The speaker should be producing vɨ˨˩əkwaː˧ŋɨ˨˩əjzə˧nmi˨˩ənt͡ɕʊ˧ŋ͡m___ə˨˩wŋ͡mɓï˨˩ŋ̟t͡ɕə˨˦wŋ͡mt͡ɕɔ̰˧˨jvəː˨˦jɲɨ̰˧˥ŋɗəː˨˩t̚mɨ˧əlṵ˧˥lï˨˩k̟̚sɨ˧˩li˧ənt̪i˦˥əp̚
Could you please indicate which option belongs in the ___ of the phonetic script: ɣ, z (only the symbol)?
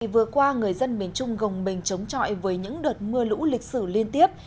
ɣ